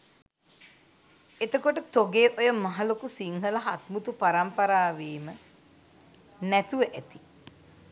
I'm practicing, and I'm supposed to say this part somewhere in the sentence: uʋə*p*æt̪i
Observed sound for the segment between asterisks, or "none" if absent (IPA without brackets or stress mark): ʔ